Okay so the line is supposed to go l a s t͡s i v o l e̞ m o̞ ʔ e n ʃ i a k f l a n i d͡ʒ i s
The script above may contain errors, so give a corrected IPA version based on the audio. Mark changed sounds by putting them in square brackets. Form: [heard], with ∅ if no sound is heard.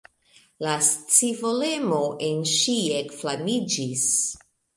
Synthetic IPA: l a s t͡s i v o l e̞ m o̞ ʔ e n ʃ i [e] k f l a [m] i d͡ʒ i s